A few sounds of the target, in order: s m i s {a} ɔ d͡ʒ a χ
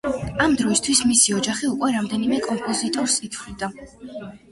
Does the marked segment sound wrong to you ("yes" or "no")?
yes